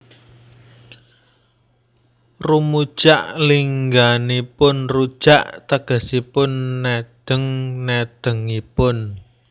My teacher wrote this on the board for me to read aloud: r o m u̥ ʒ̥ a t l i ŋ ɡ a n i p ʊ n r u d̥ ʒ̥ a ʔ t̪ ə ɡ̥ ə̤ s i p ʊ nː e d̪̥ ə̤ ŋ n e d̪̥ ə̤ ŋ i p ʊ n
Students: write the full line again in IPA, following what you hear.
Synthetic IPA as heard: r u m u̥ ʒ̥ a ʔ l i ŋ ɡ a n i p ʊ n r u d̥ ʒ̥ a ʔ t̪ ə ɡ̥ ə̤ s i p ʊ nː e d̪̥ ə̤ ŋ n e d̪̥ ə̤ ŋ i p ʊ n